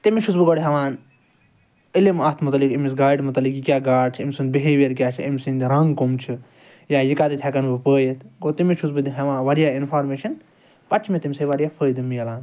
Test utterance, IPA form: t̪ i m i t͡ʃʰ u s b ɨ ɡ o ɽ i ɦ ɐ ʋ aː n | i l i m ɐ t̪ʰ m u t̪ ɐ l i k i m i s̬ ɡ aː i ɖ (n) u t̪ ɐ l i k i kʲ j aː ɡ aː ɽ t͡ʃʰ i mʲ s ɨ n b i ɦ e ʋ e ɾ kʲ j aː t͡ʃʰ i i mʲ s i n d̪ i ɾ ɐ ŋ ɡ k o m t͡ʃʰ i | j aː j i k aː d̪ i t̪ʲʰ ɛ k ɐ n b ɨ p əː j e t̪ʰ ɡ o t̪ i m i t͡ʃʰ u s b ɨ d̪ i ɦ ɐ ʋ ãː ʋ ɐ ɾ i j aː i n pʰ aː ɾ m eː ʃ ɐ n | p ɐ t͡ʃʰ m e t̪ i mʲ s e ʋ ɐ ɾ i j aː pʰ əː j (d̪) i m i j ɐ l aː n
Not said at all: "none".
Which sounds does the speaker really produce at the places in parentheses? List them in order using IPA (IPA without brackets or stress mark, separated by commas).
m, d̪